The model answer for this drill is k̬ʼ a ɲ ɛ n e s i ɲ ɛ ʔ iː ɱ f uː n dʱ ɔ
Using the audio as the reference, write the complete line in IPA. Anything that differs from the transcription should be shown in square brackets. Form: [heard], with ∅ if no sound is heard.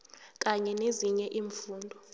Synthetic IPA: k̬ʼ a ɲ ɛ n e [z] i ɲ ɛ ʔ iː ɱ f uː n dʱ ɔ